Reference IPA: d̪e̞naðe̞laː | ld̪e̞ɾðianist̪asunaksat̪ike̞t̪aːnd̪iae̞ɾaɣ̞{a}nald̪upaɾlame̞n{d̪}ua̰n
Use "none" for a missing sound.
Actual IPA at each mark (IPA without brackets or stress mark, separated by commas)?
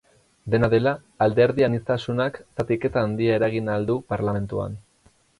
i, t̪